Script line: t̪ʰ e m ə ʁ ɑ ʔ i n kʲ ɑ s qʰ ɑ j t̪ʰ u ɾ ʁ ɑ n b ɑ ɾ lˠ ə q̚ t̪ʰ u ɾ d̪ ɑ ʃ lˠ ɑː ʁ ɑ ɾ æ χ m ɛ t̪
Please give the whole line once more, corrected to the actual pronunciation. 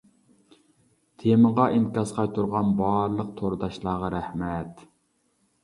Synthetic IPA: t̪ʰ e m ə ʁ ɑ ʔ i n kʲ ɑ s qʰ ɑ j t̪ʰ u ɾ ʁ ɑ n b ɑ ɾ lˠ ə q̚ t̪ʰ o ɾ d̪ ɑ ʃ lˠ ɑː ʁ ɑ ɾ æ h m ɛ t̪

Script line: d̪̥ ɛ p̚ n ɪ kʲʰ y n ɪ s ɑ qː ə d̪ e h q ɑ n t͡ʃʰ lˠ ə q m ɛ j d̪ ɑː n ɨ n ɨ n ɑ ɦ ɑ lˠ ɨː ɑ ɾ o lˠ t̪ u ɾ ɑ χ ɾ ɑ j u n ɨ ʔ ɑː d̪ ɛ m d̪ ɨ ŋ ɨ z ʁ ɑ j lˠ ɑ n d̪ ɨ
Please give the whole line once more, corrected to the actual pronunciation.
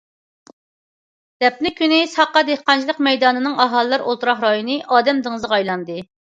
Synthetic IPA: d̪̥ ɛ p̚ n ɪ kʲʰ y n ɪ s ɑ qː ɑ d̪ e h q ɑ n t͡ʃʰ lˠ ə q m ɛ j d̪ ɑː n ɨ n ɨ ŋ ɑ ɦ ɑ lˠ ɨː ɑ ɾ o lˠ t̪ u ɾ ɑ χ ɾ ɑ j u n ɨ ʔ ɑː d̪ ɛ m d̪ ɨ ŋ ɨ z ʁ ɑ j lˠ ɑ n d̪ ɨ

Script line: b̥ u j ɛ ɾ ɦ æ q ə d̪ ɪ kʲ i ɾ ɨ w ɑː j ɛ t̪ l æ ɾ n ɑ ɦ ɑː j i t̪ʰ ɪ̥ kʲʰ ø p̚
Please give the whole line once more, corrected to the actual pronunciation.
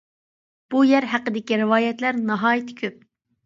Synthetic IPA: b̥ u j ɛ ɾ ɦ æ q ə d̪ ɪ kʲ i ɾ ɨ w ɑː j ɛ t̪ l æ ɾ n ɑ ɦ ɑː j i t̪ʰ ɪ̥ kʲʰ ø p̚

